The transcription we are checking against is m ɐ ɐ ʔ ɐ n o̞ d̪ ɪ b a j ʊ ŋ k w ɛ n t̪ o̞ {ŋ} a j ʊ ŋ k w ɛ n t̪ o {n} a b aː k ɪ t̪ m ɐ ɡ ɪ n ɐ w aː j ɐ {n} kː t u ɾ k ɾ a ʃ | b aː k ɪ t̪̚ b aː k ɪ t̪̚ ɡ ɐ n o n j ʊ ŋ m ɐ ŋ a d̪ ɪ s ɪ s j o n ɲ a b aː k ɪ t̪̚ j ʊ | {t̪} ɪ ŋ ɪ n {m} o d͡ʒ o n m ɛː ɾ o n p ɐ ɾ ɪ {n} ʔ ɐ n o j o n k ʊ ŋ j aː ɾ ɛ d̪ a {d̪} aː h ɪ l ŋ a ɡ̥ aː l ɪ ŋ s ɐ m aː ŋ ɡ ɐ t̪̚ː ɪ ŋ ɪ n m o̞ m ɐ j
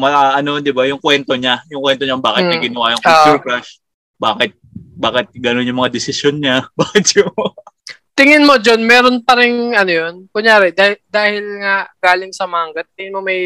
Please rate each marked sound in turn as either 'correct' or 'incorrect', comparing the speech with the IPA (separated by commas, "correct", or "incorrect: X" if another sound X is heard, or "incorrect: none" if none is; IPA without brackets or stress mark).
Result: incorrect: ɲ, incorrect: ɲ, incorrect: ŋ, correct, correct, incorrect: ŋ, correct